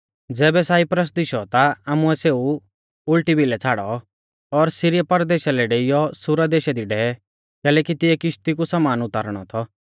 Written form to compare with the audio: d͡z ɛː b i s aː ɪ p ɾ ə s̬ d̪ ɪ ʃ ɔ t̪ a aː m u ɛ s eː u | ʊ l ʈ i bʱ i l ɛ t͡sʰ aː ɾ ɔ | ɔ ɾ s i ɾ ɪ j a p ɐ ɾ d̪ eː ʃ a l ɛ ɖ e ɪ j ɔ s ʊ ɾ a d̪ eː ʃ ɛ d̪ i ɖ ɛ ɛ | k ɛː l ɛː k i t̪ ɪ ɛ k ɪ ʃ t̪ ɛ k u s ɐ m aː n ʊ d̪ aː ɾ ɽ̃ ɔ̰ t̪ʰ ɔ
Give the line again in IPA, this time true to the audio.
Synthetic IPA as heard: d͡z ɛː b ɛ s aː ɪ p ɾ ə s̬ d̪ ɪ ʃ ɔ t̪ a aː m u ɛ s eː u | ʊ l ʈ i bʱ i l ɛ t͡sʰ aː ɽ ɔ | ɔ ɾ s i ɾ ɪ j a p ɐ ɾ d̪ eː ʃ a l ɛ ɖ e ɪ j ɔ s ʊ ɾ a d̪ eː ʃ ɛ d̪ i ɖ ɛ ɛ | k ɛː l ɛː k i t̪ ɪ ɛ k ɪ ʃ t̪ i k u s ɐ m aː n ʊ t̪ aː ɾ ɽ̃ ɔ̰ t̪ʰ ɔ